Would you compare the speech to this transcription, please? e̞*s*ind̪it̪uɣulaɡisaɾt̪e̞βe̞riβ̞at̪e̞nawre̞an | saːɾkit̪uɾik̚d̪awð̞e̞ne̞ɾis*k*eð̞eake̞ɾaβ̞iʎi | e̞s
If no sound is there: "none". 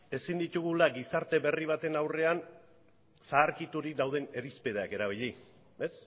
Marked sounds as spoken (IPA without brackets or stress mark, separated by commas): s, p